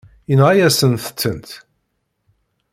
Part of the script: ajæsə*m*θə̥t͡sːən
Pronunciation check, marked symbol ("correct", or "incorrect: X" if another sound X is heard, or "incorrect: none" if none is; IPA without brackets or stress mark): incorrect: n